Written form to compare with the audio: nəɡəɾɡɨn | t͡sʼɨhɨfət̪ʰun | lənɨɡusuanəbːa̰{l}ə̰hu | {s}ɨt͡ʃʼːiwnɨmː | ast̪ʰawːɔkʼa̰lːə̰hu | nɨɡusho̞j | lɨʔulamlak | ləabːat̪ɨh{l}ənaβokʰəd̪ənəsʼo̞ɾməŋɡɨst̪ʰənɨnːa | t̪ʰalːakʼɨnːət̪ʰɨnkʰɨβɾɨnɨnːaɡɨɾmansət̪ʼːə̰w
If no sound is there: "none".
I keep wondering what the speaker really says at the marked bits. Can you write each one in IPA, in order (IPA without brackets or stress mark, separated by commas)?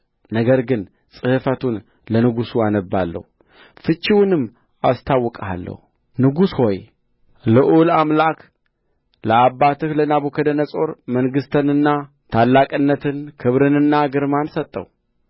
lː, f, l